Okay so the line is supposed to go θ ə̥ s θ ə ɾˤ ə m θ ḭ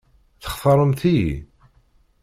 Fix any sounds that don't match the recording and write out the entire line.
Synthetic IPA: θ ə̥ χ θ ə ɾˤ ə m θ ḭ